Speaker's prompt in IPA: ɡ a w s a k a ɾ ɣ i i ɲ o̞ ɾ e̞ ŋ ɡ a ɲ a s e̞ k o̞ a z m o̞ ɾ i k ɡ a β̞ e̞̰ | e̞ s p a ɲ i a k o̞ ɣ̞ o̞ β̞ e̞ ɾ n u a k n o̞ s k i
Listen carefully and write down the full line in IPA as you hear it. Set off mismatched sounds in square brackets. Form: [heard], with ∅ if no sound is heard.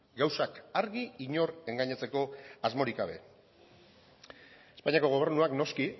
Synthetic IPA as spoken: ɡ a w s a k a ɾ ɣ i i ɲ o̞ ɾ e̞ ŋ ɡ a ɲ a [t͡s] e̞ k o̞ a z m o̞ ɾ i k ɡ a β̞ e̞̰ | e̞ s p a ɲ i a k o̞ ɣ̞ o̞ β̞ e̞ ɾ n u a k n o̞ s k i